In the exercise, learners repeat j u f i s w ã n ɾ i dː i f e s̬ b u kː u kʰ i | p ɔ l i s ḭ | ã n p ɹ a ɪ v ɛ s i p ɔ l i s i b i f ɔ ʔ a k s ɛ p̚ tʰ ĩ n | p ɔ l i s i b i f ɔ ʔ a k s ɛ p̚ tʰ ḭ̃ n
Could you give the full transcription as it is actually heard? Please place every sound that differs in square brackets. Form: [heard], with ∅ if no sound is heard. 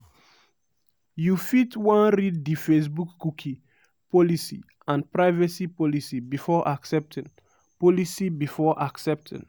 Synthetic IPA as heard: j u f i [t] w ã n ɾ i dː i f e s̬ b u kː u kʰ i | p ɔ l i s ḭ | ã n p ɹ a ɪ v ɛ s i p ɔ l i s i b i f ɔ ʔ a k s ɛ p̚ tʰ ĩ n | p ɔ l i s i b i f ɔ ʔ a k s ɛ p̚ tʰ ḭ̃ n